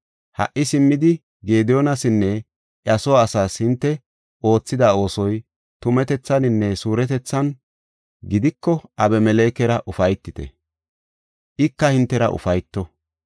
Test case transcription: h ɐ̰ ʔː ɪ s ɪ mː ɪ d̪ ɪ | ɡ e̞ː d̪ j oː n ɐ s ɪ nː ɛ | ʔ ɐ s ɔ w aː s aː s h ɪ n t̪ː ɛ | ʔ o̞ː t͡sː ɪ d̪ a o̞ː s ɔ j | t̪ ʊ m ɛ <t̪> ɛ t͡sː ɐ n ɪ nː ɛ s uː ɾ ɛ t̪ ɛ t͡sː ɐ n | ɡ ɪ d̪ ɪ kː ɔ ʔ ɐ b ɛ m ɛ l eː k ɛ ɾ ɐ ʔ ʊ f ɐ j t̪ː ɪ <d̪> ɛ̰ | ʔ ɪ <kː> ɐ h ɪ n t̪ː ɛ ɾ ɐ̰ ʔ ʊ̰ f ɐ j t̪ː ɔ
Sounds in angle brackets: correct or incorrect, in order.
correct, incorrect, correct

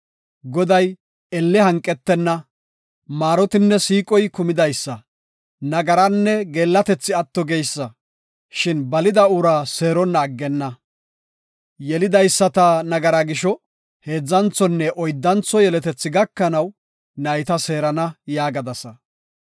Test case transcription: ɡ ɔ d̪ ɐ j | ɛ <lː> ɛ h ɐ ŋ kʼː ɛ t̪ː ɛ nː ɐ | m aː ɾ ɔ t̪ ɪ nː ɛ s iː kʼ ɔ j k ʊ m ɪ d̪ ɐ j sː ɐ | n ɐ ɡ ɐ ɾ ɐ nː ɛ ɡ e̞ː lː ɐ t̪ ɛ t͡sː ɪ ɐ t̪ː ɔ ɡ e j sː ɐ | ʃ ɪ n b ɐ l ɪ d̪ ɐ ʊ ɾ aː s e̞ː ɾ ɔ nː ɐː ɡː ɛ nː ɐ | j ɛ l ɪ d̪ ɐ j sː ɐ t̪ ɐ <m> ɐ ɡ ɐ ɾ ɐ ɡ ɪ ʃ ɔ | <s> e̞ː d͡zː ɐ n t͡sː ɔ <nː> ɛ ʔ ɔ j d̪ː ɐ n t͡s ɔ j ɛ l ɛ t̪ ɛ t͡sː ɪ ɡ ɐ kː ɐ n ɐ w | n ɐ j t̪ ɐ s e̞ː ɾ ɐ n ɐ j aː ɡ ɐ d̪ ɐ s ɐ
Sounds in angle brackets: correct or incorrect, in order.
correct, incorrect, incorrect, correct

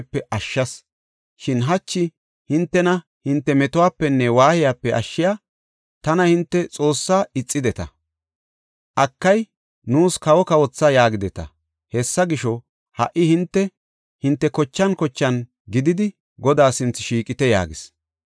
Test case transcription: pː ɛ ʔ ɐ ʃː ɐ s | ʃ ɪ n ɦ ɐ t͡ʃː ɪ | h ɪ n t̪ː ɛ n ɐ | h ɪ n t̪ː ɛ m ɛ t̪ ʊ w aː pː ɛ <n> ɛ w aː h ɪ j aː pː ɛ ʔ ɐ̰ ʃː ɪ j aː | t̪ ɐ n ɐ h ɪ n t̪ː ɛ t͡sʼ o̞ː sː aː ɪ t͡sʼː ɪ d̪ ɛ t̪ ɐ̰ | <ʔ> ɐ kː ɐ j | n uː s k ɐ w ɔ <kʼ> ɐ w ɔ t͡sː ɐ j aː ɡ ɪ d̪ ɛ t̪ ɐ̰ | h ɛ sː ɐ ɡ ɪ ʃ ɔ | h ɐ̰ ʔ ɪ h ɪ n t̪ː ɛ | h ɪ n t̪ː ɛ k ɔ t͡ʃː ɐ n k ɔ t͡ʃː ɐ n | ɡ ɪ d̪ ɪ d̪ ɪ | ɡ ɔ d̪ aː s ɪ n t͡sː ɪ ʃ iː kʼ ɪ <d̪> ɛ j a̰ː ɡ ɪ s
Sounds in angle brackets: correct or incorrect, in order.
incorrect, correct, incorrect, incorrect

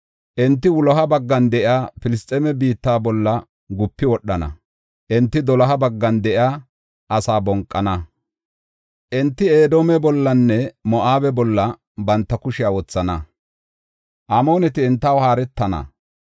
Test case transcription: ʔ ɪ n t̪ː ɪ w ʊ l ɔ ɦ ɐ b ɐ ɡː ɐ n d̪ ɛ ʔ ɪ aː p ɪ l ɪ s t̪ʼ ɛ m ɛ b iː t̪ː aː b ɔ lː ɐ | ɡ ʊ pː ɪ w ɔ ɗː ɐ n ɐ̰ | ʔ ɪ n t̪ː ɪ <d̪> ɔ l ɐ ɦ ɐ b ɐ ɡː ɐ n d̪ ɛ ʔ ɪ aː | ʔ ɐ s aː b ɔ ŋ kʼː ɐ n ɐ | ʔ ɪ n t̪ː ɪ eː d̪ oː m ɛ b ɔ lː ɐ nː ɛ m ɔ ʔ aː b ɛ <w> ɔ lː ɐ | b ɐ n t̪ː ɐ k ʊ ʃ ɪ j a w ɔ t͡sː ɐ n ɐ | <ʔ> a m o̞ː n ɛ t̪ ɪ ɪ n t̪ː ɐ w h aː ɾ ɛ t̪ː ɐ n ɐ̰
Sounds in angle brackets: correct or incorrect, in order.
correct, incorrect, correct

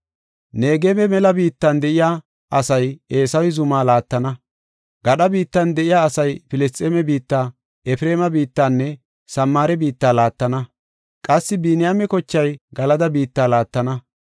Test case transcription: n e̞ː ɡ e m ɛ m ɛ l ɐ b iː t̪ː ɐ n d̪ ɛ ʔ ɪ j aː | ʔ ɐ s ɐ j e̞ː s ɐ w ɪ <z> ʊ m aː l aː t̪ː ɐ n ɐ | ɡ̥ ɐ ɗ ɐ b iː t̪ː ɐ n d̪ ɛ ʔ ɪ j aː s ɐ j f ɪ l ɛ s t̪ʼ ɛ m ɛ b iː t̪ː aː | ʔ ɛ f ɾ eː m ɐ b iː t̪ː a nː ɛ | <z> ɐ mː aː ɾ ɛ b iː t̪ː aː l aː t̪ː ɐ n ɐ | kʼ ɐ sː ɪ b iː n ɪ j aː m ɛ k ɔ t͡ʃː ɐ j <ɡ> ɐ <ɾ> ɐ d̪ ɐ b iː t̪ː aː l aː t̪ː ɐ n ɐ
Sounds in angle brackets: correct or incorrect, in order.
correct, incorrect, correct, incorrect

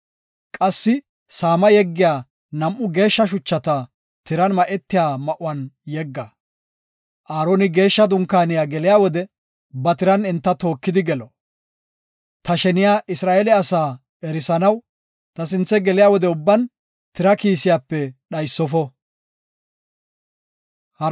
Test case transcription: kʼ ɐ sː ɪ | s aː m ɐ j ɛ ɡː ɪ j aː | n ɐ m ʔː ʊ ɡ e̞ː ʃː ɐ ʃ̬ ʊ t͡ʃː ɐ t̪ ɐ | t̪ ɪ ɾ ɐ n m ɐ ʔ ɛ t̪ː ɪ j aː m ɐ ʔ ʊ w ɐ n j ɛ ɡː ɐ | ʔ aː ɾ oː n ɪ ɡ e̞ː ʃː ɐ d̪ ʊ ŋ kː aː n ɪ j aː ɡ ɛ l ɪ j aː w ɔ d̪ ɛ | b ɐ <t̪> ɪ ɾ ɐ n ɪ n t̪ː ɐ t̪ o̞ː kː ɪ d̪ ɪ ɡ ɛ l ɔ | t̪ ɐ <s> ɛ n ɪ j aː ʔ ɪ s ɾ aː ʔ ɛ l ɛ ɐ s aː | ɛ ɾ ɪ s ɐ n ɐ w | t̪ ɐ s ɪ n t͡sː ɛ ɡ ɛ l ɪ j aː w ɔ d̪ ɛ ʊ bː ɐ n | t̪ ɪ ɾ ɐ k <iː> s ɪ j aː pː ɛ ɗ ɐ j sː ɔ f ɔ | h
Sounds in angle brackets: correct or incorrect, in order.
correct, incorrect, correct

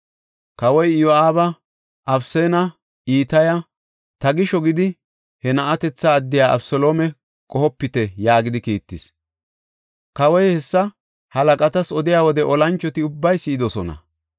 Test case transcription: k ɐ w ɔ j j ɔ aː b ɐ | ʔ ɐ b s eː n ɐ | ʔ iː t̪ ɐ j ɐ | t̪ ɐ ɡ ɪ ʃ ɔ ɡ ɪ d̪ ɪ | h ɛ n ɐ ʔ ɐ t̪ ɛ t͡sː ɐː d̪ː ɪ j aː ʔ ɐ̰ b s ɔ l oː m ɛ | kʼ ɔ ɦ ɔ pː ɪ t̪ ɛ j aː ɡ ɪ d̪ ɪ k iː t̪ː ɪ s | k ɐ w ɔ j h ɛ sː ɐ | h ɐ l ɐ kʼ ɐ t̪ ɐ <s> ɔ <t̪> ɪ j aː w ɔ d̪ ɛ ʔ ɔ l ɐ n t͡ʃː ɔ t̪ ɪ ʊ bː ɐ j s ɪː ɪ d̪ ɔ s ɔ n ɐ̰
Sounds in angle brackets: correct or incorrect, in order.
correct, incorrect

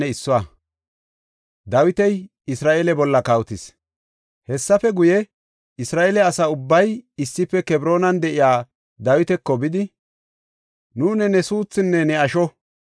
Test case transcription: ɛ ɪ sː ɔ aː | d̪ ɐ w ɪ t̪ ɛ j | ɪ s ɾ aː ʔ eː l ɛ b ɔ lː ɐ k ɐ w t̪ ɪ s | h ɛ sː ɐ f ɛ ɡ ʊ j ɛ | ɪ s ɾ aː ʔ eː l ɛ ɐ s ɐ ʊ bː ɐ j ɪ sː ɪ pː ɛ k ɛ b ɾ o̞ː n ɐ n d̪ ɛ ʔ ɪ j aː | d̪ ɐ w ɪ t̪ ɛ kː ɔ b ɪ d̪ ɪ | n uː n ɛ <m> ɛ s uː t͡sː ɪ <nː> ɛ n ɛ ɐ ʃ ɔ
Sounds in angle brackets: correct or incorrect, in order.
incorrect, correct

